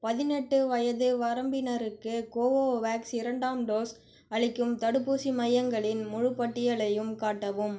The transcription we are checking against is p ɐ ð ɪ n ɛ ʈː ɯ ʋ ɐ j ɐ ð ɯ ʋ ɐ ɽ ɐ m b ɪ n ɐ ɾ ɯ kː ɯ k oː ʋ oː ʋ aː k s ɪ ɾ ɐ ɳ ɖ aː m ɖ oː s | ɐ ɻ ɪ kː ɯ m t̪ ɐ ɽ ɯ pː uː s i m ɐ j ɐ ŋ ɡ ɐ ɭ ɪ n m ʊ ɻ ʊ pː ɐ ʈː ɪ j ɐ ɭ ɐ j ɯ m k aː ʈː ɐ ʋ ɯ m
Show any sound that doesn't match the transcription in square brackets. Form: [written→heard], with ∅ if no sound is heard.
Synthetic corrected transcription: p ɐ ð ɪ n ɛ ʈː ɯ ʋ ɐ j ɐ ð ɯ ʋ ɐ [ɽ→ɾ] ɐ m b ɪ n ɐ ɾ ɯ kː ɯ k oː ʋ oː ʋ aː k s ɪ ɾ ɐ ɳ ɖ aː m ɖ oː s | ɐ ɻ ɪ kː ɯ m t̪ ɐ ɽ ɯ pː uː s i m ɐ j ɐ ŋ ɡ ɐ ɭ ɪ n m ʊ ɻ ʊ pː ɐ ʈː ɪ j ɐ ɭ ɐ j ɯ m k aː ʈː ɐ ʋ ɯ m